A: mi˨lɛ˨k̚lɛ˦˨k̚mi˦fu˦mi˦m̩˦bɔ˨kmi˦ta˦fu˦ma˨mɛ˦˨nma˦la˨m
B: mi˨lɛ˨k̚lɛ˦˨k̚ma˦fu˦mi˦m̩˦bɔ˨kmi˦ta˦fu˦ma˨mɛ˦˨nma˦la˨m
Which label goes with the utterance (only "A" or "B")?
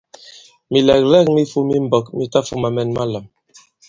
A